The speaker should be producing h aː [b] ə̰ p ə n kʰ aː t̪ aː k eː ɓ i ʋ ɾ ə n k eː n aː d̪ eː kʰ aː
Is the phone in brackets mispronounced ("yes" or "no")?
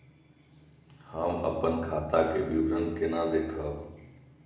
yes